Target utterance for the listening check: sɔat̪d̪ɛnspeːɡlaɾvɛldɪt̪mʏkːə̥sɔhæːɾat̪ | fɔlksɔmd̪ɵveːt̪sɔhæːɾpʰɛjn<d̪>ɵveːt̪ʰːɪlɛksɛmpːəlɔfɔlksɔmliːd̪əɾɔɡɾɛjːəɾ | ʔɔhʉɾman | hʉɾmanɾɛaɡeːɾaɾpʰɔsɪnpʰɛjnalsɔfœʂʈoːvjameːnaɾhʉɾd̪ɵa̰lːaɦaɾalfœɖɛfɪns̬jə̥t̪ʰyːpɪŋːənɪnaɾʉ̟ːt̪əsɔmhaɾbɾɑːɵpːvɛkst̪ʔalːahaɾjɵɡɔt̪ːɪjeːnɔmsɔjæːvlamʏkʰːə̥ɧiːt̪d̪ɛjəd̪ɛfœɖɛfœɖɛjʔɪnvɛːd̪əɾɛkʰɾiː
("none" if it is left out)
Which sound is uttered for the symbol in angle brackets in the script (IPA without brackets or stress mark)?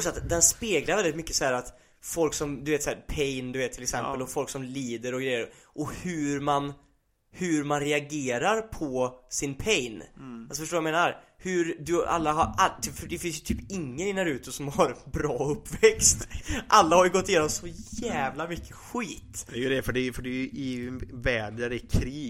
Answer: d̪